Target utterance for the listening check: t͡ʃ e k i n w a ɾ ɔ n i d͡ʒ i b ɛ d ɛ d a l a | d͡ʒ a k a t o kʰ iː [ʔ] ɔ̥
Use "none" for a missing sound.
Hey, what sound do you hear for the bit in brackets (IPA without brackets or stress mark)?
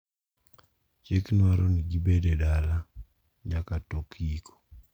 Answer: k